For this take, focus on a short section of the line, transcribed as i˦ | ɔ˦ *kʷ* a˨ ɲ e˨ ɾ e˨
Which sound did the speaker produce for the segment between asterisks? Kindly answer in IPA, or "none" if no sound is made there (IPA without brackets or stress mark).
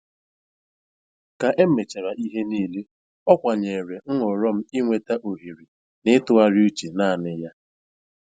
kʷ